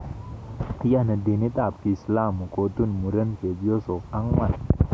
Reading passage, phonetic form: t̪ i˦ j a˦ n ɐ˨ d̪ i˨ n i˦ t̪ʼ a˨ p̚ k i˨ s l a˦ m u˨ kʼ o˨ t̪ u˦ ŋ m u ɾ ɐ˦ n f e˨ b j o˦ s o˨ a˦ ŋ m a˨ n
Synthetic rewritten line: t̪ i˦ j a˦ n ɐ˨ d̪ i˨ n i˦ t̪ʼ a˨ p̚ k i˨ s l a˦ m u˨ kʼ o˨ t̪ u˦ n m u ɾ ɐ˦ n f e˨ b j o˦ s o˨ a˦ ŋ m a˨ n